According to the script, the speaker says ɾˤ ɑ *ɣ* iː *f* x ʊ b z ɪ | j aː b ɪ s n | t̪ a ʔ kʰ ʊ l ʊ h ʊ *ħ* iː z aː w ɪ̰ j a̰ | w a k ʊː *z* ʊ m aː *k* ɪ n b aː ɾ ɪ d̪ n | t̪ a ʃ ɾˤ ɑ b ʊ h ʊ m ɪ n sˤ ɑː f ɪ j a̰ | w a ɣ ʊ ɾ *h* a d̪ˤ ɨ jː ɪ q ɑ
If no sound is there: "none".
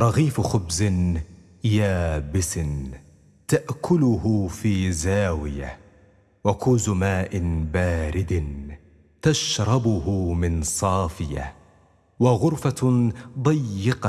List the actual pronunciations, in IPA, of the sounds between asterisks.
ɣ, f, f, z, ʔ, f

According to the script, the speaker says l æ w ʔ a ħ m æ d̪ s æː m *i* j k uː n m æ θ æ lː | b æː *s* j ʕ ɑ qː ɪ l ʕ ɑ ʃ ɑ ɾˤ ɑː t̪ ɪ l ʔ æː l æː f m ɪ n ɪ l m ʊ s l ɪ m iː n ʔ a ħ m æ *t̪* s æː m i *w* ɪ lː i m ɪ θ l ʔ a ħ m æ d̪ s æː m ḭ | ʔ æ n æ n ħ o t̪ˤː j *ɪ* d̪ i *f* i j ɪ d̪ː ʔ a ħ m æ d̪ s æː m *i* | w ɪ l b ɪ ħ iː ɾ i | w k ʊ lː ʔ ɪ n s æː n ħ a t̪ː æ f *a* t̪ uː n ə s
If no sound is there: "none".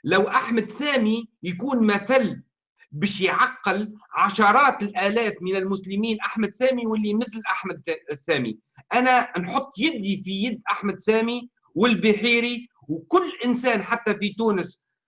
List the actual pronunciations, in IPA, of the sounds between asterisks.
i, ʃ, d̪, w, ɪ, f, i, i

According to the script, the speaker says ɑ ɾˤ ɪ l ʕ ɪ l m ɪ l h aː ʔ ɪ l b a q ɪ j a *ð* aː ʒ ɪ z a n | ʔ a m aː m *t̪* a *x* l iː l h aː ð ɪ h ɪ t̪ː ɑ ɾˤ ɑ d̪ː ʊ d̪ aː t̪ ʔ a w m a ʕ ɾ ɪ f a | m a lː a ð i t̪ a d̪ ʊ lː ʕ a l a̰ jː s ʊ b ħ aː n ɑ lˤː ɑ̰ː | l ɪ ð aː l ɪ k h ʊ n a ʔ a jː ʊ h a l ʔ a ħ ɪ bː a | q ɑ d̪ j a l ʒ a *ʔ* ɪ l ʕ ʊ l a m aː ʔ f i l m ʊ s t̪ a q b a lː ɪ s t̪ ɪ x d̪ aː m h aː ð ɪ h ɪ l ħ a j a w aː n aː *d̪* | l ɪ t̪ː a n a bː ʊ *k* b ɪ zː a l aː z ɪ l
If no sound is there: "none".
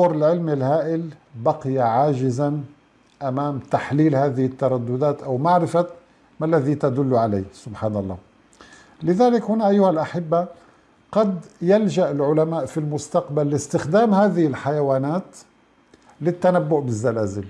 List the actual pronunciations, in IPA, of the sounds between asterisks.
ʕ, t̪, ħ, ʔ, t̪, ʔ

